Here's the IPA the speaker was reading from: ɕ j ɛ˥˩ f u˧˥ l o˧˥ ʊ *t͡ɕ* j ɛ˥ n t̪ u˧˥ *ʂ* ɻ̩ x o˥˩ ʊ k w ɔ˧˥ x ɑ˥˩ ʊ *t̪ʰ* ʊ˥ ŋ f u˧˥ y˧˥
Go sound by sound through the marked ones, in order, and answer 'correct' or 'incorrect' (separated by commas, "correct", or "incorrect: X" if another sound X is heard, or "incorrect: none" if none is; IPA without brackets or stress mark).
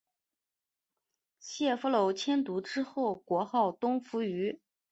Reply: incorrect: t͡ɕʰ, incorrect: ʈ͡ʂ, incorrect: t̪